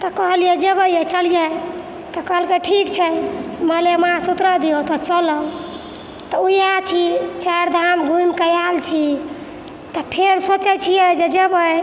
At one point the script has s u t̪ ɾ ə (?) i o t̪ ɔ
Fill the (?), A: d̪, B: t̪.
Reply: A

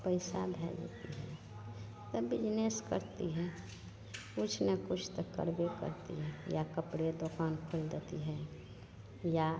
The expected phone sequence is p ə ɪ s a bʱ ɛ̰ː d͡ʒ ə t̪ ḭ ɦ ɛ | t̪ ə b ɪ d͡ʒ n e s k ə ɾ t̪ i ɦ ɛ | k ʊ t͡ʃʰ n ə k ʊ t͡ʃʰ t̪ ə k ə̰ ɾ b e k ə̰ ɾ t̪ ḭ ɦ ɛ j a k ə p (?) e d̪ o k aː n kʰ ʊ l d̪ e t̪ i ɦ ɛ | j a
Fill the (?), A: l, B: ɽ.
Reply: B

